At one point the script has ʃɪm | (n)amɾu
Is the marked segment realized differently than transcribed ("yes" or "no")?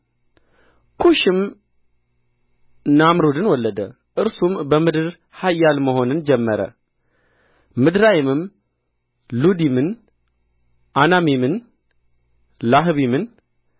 no